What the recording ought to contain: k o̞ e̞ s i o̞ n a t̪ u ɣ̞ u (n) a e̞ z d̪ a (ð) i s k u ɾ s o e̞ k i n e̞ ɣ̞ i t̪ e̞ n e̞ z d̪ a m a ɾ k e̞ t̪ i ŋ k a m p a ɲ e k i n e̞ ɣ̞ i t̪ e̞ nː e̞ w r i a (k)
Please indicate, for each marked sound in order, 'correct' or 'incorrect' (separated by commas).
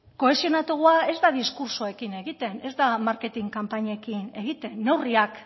incorrect, correct, correct